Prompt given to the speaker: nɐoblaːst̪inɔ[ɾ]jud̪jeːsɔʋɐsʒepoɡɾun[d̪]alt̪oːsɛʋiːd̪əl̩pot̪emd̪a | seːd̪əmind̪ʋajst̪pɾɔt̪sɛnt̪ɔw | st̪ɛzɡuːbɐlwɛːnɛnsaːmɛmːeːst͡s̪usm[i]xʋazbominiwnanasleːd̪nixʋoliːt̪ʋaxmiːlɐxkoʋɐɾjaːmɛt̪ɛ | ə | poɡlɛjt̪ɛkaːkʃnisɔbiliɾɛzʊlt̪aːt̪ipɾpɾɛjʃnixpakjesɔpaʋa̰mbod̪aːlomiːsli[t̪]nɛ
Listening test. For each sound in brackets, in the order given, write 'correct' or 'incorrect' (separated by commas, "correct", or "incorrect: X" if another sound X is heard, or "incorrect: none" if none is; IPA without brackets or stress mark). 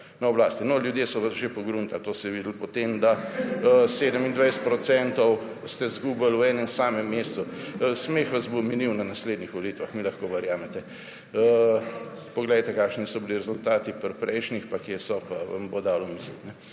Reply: incorrect: l, incorrect: t̪, incorrect: e, correct